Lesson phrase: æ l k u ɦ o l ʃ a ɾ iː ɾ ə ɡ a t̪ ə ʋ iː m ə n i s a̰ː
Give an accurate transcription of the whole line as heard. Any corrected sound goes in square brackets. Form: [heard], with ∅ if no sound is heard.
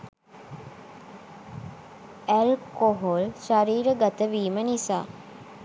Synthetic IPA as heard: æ l k [o] ɦ o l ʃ a ɾ iː ɾ ə ɡ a t̪ ə ʋ iː m ə n i s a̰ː